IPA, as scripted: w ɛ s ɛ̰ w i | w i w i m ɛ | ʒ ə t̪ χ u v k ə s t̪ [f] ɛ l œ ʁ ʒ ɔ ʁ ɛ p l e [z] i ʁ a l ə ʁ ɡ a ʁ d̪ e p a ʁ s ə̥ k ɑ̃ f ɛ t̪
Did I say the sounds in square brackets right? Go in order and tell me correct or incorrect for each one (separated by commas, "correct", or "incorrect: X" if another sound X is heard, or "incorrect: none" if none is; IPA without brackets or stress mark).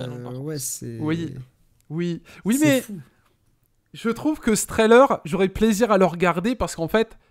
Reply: incorrect: χ, correct